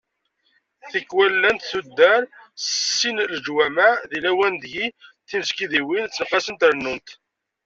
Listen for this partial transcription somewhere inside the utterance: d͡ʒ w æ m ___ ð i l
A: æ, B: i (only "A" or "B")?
A